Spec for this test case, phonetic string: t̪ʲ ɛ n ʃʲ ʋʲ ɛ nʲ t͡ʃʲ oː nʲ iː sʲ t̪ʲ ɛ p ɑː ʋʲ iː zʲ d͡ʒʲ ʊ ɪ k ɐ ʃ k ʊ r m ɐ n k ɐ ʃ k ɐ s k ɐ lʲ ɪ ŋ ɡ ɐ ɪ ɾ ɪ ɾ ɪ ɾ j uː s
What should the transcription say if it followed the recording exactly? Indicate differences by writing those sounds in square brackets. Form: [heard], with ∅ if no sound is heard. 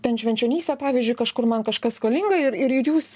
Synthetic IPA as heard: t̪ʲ ɛ n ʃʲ ʋʲ ɛ nʲ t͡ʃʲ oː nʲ iː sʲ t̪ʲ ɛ p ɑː ʋʲ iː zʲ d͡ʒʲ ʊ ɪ k ɐ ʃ k ʊ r m ɐ n k ɐ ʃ k ɐ s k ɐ lʲ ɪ ŋ ɡ ɐ ɪ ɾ ɪ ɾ ɪ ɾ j uː s